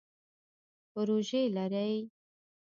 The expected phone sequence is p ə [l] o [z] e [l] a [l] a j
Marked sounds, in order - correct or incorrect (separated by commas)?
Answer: incorrect, incorrect, correct, incorrect